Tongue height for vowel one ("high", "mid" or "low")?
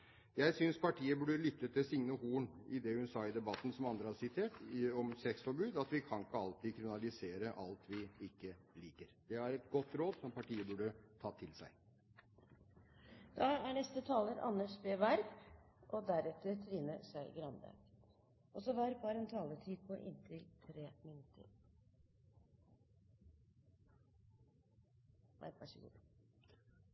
low